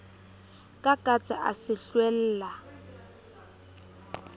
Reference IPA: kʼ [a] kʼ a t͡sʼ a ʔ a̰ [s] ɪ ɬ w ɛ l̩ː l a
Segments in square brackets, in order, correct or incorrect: correct, correct

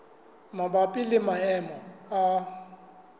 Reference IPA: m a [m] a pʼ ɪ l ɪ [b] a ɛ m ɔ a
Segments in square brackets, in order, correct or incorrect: incorrect, incorrect

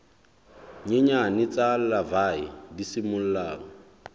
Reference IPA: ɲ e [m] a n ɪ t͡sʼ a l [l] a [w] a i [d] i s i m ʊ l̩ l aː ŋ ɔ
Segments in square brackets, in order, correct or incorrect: incorrect, correct, incorrect, correct

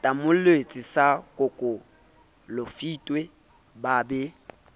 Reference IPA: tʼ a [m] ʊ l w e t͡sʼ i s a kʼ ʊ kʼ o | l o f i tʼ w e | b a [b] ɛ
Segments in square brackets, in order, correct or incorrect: correct, correct

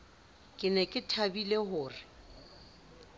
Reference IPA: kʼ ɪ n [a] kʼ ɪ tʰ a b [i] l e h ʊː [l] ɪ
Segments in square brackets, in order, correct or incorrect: incorrect, correct, incorrect

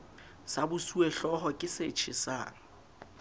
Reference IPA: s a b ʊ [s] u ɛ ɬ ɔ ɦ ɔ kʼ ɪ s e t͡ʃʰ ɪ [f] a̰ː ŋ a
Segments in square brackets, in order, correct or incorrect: correct, incorrect

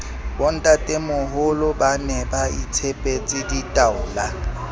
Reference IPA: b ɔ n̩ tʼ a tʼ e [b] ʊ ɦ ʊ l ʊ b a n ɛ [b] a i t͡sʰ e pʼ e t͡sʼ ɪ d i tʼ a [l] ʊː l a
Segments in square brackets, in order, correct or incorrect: incorrect, correct, incorrect

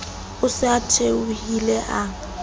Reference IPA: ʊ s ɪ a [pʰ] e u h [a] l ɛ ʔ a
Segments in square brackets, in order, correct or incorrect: incorrect, incorrect

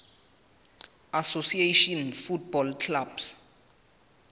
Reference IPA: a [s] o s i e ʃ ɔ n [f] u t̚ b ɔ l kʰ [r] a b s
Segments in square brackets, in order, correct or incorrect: correct, correct, incorrect

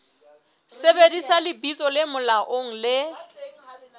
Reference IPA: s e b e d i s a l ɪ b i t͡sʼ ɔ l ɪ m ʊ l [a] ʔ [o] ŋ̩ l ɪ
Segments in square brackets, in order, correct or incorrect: correct, correct

